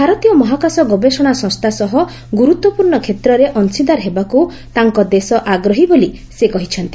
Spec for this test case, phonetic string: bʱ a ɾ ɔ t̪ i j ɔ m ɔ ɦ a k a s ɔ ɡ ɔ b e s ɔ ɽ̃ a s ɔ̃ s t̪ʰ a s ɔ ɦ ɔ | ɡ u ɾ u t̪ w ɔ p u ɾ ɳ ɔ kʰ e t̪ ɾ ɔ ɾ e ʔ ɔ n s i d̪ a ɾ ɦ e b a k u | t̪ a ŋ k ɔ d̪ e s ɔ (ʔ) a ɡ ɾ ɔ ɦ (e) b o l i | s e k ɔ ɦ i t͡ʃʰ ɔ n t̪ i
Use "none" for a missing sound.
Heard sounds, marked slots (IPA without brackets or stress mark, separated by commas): ʔ, i